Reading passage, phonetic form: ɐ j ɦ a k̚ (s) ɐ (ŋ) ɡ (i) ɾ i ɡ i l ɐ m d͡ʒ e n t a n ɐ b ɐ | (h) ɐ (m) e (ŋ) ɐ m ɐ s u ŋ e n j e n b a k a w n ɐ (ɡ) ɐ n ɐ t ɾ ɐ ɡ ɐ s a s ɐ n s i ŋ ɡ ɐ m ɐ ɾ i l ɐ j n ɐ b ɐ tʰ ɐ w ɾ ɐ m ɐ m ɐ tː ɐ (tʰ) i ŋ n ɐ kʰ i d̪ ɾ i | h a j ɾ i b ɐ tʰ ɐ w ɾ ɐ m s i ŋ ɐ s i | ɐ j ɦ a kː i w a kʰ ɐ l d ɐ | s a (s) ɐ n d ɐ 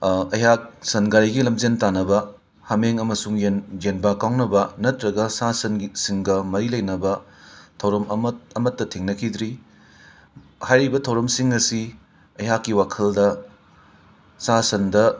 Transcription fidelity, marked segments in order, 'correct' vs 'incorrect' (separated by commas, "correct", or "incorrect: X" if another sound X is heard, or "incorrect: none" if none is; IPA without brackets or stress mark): correct, incorrect: n, incorrect: a, correct, correct, correct, incorrect: b, correct, correct